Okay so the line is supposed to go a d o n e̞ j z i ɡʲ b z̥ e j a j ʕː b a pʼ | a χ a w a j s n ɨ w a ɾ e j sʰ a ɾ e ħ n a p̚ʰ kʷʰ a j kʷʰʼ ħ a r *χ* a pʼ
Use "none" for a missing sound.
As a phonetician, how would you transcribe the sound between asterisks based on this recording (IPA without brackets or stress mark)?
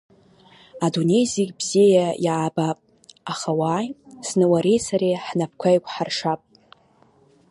ʂ